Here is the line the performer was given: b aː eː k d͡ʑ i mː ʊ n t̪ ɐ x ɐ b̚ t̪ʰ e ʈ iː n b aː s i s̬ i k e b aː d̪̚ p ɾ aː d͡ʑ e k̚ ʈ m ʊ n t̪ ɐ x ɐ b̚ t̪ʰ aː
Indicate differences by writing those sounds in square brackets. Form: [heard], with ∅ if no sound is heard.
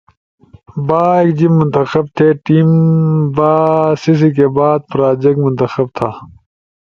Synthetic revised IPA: b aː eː k d͡ʑ i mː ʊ n t̪ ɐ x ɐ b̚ t̪ʰ e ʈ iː [m] b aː s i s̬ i k e b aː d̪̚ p ɾ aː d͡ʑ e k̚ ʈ m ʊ n t̪ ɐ x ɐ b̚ t̪ʰ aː